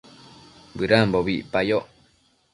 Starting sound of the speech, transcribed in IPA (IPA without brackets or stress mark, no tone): b